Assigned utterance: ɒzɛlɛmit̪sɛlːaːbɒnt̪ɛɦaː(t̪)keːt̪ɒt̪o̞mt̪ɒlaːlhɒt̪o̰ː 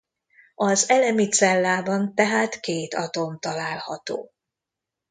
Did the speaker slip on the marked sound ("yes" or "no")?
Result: no